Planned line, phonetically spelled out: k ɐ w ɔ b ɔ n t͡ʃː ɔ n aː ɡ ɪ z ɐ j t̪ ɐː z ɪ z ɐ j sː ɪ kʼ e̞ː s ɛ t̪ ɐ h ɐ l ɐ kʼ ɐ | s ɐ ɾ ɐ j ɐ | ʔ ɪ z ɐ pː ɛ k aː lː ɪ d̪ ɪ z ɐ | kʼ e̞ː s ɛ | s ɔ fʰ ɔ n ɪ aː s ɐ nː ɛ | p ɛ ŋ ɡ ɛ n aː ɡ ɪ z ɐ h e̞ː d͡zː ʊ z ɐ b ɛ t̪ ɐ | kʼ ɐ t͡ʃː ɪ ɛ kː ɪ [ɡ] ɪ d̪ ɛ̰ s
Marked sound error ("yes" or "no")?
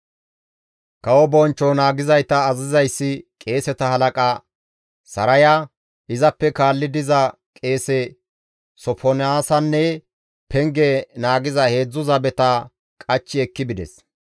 yes